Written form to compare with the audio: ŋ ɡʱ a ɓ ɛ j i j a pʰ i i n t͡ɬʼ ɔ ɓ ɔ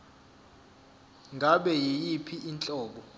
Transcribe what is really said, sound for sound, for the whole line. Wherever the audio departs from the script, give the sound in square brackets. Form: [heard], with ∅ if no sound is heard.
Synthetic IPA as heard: ŋ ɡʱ a ɓ ɛ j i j [i] pʰ i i n t͡ɬʼ [ɔː] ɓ ɔ